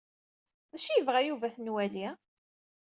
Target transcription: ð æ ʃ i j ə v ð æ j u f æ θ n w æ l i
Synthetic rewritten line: ð æ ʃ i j ə v ʁ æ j u v æ θ n w æ l i